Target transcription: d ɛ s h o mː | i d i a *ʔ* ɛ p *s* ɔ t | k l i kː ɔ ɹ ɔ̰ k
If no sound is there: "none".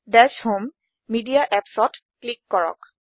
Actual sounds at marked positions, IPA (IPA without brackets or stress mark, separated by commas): ʔ, s